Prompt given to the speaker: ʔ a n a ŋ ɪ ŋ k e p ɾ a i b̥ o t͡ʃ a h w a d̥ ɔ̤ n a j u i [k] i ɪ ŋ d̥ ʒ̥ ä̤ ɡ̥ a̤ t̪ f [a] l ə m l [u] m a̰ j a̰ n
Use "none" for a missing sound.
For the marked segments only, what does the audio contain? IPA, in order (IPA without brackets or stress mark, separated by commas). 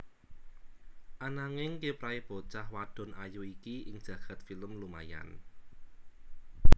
k, i, u